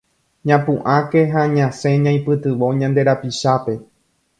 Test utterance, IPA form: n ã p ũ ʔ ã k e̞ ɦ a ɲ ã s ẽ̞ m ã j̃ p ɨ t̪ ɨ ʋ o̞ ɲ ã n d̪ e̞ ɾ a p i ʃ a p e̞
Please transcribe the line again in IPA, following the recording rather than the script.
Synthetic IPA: ɲ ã p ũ ʔ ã k e̞ ɦ a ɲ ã s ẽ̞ ɲ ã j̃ p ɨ t̪ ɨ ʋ o̞ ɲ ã n d̪ e̞ ɾ a p i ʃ a p e̞